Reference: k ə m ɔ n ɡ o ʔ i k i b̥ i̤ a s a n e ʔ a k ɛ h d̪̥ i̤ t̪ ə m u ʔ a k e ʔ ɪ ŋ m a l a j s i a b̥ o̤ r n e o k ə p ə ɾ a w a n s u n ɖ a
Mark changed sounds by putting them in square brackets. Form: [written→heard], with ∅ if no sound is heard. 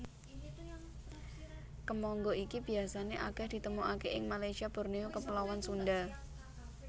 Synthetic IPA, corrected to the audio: k ə m ɔ [n→ŋ] ɡ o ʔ i k i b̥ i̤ a s a n e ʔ a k ɛ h d̪̥ i̤ t̪ ə m u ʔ a k e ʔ ɪ ŋ m a l a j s i a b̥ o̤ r n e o k ə p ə [ɾ→l] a w a n s u n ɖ a